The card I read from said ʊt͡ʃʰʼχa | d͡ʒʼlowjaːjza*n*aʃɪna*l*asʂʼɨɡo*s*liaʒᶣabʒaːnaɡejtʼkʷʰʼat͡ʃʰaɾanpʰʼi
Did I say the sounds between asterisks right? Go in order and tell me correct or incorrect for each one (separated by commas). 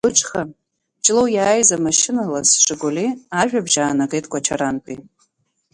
incorrect, correct, incorrect